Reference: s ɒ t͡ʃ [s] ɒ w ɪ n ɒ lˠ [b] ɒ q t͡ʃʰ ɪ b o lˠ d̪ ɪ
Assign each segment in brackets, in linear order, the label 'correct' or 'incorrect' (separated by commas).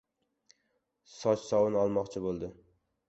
correct, incorrect